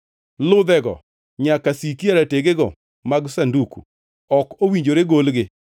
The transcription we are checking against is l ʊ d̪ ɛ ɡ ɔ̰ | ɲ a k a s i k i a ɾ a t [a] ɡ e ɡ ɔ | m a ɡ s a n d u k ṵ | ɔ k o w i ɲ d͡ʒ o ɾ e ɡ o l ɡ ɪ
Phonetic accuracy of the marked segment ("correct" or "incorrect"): incorrect